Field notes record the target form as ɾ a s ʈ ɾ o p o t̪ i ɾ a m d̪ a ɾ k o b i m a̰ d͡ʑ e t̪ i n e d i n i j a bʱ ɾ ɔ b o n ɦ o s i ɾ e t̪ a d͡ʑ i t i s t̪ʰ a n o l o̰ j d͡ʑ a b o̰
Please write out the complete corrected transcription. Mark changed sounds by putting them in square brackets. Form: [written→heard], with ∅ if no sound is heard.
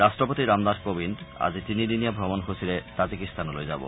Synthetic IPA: ɾ a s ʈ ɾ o p o t̪ i ɾ a m d̪ a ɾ k o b i [m→n] a̰ d͡ʑ [e→i] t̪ i n [e→i] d i n i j a bʱ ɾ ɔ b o n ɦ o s i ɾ e t̪ a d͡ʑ i [t→k] i s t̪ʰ a n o l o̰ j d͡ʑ a b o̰